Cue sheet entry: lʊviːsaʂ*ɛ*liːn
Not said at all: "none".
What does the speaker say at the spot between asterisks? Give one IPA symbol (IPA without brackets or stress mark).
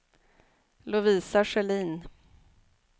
ɛ